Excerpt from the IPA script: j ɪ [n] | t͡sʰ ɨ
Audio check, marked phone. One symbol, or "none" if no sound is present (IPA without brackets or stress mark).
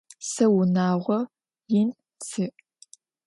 n